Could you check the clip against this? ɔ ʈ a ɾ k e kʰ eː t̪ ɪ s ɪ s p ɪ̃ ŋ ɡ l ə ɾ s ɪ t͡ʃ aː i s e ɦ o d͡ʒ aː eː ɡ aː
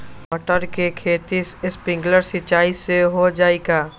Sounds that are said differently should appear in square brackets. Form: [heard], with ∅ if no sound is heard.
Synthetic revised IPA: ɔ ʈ [ə] ɾ k e kʰ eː t̪ [i] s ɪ s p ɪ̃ ŋ ɡ l ə ɾ s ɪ t͡ʃ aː i s e ɦ o d͡ʒ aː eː ɡ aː